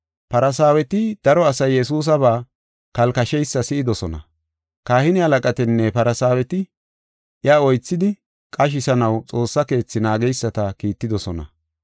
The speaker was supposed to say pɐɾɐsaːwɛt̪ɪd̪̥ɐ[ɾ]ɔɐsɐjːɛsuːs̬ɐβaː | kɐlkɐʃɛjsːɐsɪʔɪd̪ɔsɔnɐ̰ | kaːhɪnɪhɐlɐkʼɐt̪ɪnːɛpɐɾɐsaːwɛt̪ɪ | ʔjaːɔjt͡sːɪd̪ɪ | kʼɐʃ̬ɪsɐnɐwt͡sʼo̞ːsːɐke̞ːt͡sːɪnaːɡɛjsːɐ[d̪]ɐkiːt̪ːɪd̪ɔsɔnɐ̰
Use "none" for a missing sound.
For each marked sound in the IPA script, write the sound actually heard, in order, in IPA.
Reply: ɾ, t̪

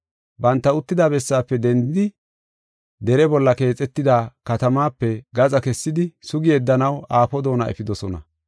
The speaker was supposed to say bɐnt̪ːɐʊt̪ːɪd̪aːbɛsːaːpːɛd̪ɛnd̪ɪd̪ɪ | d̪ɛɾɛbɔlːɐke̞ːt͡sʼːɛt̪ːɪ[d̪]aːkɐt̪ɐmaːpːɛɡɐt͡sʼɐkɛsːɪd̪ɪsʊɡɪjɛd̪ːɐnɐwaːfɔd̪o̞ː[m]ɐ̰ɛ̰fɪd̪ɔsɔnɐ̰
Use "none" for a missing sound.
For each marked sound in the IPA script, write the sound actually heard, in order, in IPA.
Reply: d̪, n

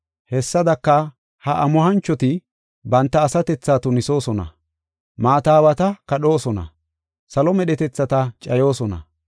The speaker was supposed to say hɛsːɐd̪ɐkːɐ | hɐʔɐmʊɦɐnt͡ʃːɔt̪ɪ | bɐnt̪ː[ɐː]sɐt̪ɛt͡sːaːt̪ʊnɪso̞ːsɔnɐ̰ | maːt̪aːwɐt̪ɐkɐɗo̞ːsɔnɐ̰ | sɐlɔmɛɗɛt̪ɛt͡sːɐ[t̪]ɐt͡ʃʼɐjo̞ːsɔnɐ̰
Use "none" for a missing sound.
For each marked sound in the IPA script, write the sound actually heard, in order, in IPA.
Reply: ɐː, t̪

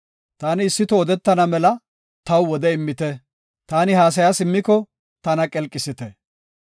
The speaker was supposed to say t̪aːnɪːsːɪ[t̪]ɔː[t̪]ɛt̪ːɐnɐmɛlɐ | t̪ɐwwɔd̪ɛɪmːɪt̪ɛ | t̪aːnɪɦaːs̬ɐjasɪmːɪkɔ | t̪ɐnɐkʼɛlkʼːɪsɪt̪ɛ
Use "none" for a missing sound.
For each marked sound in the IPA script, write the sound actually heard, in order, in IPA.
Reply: t̪, d̪

